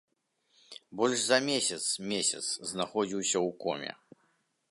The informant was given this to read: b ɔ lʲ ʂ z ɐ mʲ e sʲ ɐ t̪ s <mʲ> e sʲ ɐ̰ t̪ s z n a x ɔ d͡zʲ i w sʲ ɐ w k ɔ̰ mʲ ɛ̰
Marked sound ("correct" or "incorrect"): correct